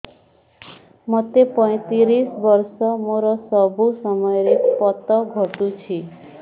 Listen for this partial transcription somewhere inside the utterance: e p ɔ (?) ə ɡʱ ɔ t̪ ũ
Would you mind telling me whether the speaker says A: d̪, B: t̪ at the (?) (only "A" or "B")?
B